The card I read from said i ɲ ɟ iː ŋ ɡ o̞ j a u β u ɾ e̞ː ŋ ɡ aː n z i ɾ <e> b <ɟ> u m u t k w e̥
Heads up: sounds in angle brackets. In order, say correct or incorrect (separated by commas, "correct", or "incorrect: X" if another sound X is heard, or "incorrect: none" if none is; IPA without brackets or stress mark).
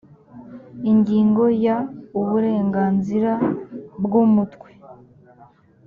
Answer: incorrect: a, incorrect: ɡ